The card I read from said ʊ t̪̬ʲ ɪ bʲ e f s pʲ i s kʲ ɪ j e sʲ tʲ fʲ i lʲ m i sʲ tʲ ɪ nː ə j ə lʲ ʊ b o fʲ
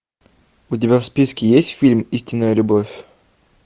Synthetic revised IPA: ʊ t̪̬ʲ ɪ bʲ a f s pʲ i s kʲ ɪ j e sʲ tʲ fʲ i lʲ m i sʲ tʲ ɪ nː ə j ə lʲ ʊ b o fʲ